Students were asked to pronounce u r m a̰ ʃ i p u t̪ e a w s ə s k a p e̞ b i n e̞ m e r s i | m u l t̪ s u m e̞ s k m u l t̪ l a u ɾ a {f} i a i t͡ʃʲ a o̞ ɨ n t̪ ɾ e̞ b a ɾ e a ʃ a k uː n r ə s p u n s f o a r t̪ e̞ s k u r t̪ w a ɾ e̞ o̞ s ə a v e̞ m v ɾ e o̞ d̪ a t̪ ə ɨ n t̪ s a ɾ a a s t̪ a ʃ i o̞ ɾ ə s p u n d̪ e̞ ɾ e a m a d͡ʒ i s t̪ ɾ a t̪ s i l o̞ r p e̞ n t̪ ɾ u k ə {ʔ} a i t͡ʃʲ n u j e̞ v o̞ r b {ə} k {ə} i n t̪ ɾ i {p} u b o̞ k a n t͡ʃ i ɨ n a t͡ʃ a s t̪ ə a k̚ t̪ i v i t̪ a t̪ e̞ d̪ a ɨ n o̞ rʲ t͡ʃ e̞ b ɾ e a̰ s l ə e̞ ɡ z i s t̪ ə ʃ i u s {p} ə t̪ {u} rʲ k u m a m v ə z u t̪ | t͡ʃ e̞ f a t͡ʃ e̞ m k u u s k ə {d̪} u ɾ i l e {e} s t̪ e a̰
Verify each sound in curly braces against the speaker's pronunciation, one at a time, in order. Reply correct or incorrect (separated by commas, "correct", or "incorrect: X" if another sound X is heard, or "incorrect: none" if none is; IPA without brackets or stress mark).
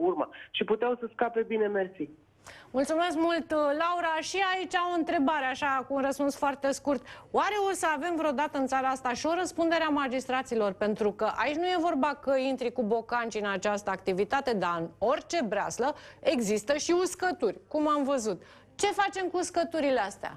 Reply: incorrect: ʃ, correct, incorrect: a, correct, incorrect: k, incorrect: k, correct, incorrect: t̪, incorrect: a